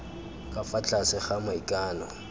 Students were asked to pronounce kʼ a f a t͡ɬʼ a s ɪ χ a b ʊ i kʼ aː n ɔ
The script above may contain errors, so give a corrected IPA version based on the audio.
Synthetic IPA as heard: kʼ a f a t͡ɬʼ a s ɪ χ a m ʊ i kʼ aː n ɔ